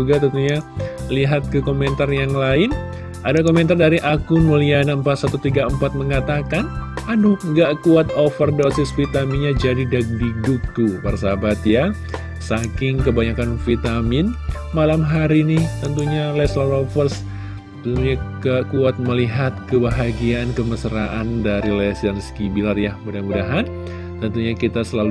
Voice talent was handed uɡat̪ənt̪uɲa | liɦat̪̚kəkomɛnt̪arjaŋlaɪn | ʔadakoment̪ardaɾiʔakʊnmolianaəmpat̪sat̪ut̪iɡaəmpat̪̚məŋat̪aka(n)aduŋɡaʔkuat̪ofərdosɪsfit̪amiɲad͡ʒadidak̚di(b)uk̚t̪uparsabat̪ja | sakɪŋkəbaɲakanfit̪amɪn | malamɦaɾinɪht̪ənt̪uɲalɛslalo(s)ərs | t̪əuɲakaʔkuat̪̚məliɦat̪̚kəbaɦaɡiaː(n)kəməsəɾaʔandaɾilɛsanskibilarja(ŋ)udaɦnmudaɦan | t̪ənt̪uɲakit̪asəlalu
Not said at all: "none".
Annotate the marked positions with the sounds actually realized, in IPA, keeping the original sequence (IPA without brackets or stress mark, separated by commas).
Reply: n, d, f, n, m